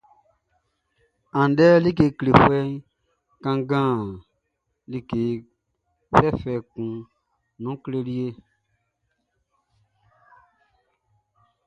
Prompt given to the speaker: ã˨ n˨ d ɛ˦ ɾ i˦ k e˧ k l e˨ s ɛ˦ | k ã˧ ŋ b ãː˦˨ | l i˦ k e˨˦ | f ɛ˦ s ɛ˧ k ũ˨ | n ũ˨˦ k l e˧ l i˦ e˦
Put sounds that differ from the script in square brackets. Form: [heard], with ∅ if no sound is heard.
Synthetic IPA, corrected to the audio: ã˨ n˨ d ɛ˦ [l] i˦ k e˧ k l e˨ [f] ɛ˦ | k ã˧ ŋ [ɡ] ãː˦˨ | l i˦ k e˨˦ | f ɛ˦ [f] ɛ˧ k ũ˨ | n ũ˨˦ k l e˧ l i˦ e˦